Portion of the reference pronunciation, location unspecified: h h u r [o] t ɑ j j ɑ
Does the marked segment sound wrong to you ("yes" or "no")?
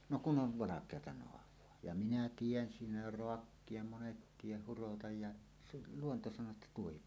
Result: no